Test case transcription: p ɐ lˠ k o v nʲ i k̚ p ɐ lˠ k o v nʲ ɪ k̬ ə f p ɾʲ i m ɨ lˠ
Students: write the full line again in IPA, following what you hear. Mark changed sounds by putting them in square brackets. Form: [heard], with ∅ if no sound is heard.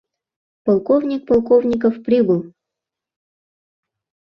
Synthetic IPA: p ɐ lˠ k o v nʲ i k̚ p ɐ lˠ k o v nʲ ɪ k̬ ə f p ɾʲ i [b] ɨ lˠ